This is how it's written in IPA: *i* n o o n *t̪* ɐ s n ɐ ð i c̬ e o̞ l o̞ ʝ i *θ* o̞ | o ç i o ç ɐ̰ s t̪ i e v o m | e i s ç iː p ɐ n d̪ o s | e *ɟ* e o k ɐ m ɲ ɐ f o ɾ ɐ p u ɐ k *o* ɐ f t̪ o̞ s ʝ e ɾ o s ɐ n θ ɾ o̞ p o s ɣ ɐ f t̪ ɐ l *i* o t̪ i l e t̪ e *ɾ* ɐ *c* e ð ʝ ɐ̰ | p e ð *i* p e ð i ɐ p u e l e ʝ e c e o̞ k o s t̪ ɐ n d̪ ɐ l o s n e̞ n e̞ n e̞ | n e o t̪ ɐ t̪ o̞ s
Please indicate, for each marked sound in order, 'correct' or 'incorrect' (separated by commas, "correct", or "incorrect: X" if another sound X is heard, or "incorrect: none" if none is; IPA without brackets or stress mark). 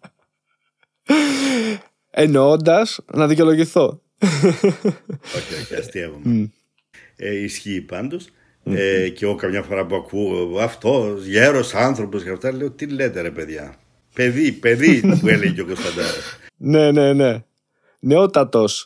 incorrect: e, incorrect: d̪, correct, incorrect: c, incorrect: u, incorrect: e, correct, incorrect: p, correct